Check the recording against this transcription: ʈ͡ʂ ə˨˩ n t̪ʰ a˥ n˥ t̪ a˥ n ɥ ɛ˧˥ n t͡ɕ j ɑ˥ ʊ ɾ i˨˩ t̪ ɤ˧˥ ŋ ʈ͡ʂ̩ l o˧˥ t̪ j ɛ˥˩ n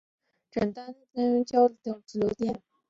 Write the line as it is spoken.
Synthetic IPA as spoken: ʈ͡ʂ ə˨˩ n t̪ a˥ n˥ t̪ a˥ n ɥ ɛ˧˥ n t͡ɕ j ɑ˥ ʊ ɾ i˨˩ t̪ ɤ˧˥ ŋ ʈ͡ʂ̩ l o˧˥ t̪ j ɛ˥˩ n